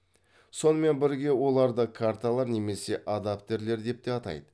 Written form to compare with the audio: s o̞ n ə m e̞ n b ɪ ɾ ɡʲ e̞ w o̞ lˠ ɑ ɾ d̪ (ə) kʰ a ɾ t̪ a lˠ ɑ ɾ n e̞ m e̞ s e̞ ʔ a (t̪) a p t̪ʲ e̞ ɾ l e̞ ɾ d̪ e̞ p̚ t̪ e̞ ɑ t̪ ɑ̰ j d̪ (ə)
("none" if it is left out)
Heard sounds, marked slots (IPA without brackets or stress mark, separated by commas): ə, d̪, ə